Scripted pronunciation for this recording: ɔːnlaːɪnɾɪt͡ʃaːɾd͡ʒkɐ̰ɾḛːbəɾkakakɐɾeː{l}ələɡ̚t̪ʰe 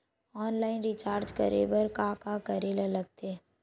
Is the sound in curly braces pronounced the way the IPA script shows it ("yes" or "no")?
yes